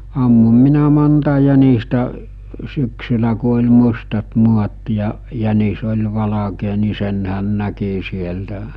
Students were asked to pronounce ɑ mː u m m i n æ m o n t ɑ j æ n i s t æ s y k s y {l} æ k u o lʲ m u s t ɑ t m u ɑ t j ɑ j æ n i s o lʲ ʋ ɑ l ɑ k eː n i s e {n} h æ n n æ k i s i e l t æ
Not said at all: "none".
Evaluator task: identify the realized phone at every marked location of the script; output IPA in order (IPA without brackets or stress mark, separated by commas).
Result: l, n